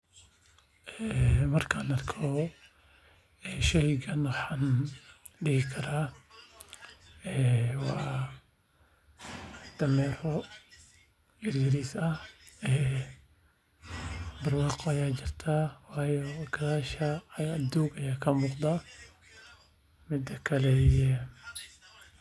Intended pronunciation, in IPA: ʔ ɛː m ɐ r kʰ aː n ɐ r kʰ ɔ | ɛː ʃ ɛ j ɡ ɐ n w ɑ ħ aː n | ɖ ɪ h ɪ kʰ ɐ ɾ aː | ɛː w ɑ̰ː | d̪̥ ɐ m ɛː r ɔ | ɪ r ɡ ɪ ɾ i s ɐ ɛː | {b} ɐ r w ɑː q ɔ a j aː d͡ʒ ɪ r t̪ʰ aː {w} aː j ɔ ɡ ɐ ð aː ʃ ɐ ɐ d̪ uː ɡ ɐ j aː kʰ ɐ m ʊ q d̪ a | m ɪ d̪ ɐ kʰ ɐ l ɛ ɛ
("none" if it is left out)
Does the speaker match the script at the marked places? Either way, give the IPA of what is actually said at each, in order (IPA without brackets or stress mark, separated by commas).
b, w